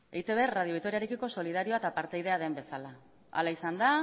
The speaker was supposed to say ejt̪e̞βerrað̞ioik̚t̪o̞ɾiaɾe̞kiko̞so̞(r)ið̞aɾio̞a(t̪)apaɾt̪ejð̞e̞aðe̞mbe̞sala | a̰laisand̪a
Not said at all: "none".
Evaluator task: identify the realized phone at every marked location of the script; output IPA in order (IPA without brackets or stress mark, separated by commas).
l, t̪